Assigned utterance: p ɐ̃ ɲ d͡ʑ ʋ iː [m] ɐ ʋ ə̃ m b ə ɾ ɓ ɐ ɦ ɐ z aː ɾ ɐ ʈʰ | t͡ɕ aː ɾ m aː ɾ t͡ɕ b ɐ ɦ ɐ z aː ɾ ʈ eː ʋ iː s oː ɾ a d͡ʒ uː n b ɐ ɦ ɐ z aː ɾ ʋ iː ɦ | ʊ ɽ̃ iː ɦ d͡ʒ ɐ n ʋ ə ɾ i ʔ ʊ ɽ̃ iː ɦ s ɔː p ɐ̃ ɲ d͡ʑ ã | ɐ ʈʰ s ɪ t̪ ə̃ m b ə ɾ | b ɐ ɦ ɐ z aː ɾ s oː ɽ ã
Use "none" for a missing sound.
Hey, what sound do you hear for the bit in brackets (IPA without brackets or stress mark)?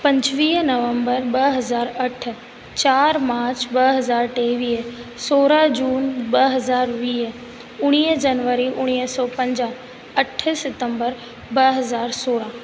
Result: n